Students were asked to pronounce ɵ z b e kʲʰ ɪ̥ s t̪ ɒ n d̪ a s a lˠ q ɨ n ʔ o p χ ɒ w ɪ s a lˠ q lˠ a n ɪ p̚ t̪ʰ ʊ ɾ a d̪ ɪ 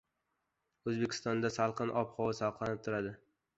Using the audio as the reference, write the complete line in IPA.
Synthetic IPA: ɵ z b e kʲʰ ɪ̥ s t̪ ɒ n d̪ a s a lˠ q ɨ n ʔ ɒ p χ ɒ w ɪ s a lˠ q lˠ a n ɪ p̚ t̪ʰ ʊ ɾ a d̪ ɪ